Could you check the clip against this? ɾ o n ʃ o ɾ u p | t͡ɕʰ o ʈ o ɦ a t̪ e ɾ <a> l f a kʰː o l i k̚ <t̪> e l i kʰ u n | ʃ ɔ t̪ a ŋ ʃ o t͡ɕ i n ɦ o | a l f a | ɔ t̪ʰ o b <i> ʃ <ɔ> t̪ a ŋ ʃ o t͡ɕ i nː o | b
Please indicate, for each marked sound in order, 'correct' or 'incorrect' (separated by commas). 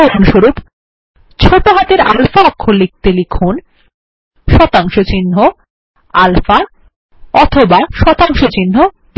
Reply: correct, correct, incorrect, correct